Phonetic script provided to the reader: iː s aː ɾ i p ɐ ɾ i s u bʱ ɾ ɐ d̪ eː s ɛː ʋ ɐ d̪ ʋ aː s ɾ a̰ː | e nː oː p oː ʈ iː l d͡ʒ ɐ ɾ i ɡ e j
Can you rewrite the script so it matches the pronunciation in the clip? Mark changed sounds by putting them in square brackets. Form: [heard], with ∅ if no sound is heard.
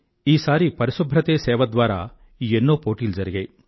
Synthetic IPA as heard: iː s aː ɾ i p ɐ ɾ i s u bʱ ɾ ɐ [t̪] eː s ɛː ʋ ɐ d̪ ʋ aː [∅] ɾ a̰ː | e nː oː p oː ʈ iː l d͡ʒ ɐ ɾ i ɡ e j